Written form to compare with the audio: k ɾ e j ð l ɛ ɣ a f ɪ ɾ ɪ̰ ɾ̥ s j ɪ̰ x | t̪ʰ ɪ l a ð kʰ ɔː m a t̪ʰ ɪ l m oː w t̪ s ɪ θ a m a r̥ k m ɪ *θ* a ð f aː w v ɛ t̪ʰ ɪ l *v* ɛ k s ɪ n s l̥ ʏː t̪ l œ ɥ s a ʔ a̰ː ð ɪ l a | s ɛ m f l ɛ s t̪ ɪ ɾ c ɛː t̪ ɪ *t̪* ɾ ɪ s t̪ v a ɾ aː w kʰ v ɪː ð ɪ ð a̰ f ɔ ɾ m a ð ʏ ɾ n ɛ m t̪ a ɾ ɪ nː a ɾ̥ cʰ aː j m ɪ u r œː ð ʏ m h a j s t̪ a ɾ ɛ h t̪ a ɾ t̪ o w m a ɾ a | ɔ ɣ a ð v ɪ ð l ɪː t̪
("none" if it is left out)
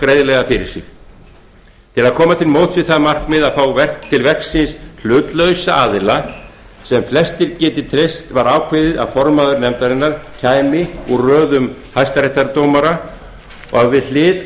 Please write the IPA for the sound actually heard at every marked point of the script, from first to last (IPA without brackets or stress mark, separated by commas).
ð, v, t̪ʰ